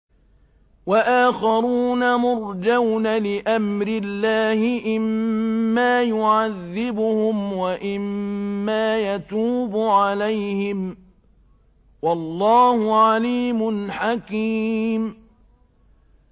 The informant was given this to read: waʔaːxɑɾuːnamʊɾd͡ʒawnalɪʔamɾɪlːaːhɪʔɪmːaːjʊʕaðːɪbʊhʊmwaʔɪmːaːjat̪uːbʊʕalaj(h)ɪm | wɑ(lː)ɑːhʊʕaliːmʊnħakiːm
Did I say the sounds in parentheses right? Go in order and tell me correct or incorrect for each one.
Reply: correct, correct

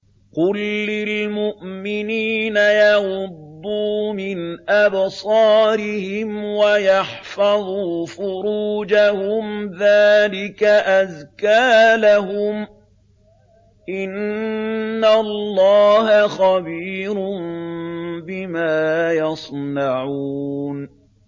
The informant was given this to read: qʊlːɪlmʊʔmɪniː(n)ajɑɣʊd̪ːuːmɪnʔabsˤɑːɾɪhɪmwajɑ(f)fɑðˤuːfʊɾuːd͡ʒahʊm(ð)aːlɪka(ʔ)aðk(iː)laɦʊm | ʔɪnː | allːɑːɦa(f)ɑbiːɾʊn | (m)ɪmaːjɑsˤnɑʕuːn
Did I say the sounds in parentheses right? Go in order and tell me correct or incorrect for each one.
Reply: correct, incorrect, correct, correct, incorrect, incorrect, incorrect

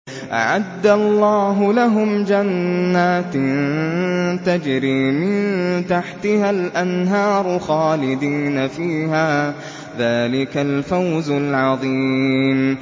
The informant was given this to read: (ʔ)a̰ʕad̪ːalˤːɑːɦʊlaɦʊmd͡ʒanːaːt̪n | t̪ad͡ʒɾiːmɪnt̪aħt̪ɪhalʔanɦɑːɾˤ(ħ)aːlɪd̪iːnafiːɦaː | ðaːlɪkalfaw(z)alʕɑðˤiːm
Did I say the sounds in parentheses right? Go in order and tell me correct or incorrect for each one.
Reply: correct, incorrect, correct

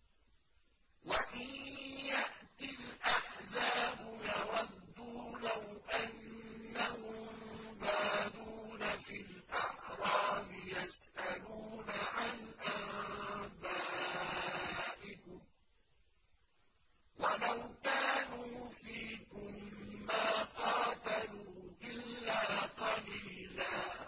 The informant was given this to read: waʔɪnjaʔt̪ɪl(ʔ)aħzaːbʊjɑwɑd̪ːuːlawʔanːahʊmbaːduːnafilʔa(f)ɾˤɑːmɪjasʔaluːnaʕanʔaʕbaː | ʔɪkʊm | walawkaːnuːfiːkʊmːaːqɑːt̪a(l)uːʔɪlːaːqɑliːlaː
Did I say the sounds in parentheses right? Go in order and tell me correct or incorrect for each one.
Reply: correct, incorrect, correct

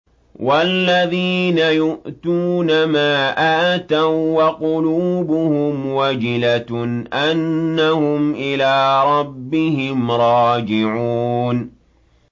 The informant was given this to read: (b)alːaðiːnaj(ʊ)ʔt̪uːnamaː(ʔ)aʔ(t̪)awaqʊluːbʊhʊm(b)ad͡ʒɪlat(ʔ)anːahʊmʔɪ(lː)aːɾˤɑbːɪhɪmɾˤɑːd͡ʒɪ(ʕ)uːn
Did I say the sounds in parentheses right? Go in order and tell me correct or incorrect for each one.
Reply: incorrect, correct, correct, correct, incorrect, correct, incorrect, correct

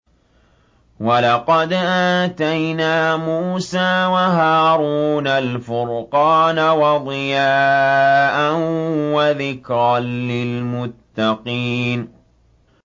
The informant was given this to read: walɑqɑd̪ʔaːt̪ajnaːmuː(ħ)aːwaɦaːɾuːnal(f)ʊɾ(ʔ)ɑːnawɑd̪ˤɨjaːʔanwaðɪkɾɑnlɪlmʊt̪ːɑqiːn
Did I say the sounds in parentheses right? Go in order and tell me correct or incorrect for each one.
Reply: incorrect, correct, incorrect

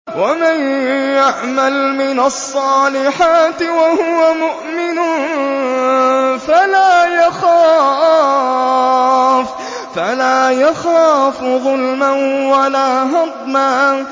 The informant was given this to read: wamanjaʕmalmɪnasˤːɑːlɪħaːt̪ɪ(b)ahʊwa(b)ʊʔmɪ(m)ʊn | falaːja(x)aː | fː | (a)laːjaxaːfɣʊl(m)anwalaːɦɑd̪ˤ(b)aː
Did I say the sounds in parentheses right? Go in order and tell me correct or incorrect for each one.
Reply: incorrect, incorrect, incorrect, correct, correct, correct, incorrect

